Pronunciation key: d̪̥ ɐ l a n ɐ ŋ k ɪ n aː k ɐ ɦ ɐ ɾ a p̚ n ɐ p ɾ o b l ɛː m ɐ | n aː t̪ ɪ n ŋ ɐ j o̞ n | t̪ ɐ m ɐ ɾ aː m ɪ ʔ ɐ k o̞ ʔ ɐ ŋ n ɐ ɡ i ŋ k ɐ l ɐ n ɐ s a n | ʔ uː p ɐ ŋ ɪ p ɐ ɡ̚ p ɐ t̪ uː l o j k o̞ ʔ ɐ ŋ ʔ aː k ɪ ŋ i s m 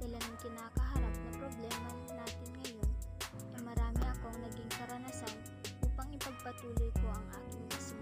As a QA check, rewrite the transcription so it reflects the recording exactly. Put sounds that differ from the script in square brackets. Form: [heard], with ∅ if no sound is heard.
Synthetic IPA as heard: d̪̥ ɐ l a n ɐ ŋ k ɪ n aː k ɐ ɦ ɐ ɾ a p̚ n ɐ p ɾ o b l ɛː m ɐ | n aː t̪ ɪ n ŋ ɐ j o̞ n | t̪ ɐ m ɐ ɾ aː m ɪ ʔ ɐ k o̞ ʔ ɐ ŋ n ɐ ɡ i ŋ k ɐ [ɾ] ɐ n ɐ s a n | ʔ uː p ɐ ŋ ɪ p ɐ ɡ̚ p ɐ t̪ uː l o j k o̞ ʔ ɐ ŋ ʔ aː k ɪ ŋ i s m